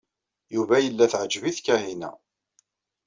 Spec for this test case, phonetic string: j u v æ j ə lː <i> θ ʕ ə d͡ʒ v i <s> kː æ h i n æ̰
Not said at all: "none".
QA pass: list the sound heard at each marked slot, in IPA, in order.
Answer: æ, θ

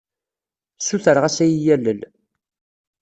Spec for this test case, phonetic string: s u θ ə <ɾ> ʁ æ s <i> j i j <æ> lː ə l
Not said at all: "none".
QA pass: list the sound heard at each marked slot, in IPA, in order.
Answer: ɾ, æ, æ

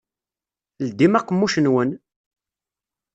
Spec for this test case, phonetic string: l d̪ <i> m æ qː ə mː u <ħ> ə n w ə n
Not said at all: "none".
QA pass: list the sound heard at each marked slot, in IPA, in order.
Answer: i, ʃ

